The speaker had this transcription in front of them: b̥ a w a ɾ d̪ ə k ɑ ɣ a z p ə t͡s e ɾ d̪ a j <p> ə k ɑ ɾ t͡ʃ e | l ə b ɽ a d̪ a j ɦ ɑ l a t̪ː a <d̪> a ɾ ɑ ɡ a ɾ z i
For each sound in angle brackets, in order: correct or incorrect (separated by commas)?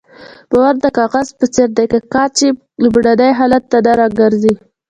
incorrect, correct